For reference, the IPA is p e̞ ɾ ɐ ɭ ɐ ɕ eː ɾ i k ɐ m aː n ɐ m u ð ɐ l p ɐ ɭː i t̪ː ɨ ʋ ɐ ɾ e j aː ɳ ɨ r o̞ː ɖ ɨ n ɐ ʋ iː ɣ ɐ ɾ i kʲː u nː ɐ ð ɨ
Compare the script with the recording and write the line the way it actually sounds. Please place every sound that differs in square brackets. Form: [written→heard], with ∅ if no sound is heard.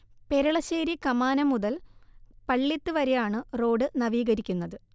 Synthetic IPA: p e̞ ɾ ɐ ɭ ɐ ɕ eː ɾ i k ɐ m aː n ɐ m u ð ɐ l p ɐ ɭː i t̪ː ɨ ʋ ɐ ɾ e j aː ɳ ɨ r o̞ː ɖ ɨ n ɐ ʋ iː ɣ ɐ ɾ i kʲː u nː ɐ ð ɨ